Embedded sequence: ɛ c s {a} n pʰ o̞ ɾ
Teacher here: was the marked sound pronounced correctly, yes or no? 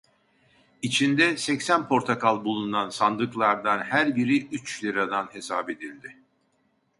no